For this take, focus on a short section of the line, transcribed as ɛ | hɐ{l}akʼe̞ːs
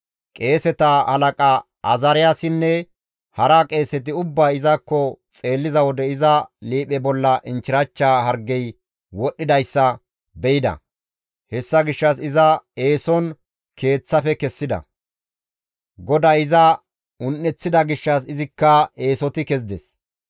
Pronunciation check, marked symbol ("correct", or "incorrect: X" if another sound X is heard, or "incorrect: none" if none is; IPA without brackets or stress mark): incorrect: ɾ